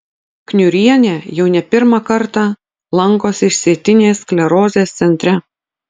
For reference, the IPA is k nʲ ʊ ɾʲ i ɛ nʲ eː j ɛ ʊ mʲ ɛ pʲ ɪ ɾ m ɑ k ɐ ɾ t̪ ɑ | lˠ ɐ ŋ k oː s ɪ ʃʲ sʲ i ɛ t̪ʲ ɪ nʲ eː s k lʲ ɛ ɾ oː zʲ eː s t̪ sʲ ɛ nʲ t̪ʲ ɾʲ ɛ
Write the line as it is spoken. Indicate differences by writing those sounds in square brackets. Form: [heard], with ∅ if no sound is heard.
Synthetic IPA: k nʲ ʊ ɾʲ i ɛ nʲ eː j ɛ ʊ [nʲ] ɛ pʲ ɪ ɾ m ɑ k ɐ ɾ t̪ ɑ | lˠ ɐ ŋ k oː s ɪ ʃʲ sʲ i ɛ t̪ʲ ɪ nʲ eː s k lʲ ɛ ɾ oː zʲ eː s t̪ sʲ ɛ nʲ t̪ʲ ɾʲ ɛ